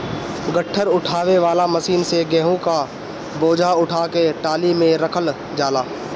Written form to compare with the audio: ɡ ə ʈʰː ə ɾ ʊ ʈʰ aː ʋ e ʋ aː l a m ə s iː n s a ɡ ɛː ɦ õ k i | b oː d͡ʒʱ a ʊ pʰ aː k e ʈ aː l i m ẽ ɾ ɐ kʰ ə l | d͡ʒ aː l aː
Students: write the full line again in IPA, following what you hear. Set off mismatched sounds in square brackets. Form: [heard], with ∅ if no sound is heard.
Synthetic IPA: ɡ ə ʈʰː ə ɾ ʊ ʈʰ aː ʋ e ʋ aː l a m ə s iː n s [e] ɡ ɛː ɦ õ k [a] | b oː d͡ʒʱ a ʊ [ʈʰ] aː k e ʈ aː l i m ẽ ɾ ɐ kʰ ə l | d͡ʒ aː l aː